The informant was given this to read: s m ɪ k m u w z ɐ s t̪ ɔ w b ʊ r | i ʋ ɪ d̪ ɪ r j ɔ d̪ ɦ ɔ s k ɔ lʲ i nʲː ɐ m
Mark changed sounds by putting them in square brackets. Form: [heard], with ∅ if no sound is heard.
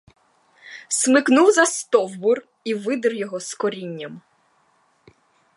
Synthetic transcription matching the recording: s m ɪ k [n] u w z ɐ s t̪ ɔ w b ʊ r | i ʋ ɪ d̪ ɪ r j ɔ [∅] ɦ ɔ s k ɔ [ɾʲ] i nʲː ɐ m